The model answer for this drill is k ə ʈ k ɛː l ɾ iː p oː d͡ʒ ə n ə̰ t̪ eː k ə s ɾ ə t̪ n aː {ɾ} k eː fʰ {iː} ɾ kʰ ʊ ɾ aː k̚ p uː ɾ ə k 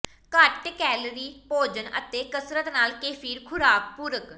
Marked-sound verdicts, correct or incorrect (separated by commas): incorrect, correct